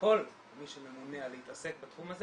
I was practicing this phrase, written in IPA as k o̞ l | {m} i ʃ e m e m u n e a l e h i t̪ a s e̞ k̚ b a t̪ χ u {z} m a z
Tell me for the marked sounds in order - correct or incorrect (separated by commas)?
correct, incorrect